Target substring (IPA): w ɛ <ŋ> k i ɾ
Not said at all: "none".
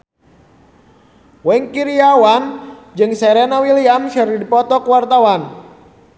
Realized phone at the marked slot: ŋ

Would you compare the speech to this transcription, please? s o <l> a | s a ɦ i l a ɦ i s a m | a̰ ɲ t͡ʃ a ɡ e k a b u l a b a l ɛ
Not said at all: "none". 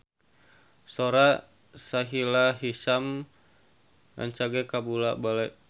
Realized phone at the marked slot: ɾ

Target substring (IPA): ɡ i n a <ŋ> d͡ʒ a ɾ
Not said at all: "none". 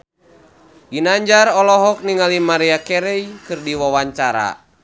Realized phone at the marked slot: ɲ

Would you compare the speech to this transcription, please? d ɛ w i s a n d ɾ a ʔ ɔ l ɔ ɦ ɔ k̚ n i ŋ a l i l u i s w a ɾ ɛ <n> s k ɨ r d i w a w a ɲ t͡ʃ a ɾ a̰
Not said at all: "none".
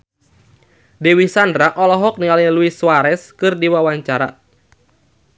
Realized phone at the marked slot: none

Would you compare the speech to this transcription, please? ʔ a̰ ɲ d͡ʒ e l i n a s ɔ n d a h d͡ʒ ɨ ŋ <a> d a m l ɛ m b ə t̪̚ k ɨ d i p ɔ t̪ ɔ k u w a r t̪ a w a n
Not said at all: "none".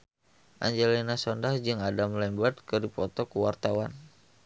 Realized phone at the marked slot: a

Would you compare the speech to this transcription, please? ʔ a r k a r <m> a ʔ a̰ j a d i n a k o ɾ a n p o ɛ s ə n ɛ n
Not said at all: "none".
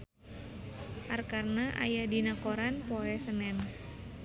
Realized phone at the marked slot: n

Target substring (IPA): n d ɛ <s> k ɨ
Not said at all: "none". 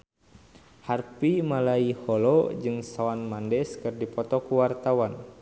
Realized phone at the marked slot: s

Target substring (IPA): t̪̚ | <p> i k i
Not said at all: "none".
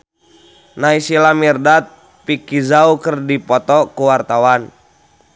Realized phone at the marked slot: p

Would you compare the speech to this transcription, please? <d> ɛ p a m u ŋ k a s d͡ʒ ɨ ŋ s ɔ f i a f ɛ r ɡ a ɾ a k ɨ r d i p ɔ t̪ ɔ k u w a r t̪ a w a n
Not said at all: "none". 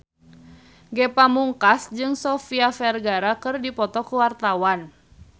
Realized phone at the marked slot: ɡ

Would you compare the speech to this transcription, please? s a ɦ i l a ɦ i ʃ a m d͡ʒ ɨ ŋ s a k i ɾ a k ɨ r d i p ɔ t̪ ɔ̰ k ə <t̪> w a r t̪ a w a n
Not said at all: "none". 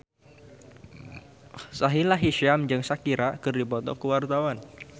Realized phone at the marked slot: none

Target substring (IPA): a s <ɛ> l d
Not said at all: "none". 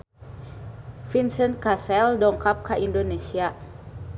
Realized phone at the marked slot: ɛ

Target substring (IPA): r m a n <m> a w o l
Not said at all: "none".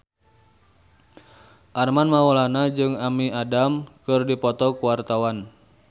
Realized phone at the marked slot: m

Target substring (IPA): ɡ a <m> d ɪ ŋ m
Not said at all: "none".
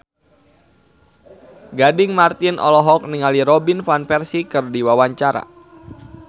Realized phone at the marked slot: none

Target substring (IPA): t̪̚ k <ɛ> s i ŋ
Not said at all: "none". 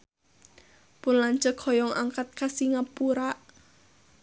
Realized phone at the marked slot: a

